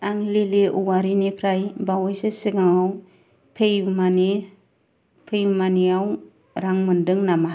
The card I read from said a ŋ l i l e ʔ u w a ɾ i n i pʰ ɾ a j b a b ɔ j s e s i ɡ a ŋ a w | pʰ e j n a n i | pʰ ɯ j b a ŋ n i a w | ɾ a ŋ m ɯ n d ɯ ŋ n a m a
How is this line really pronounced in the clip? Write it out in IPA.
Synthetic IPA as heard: a ŋ l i l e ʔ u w a ɾ i n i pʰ ɾ a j b a w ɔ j s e s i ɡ a ŋ a w | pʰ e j m a n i | pʰ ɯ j m a n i a w | ɾ a ŋ m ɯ n d ɯ ŋ n a m a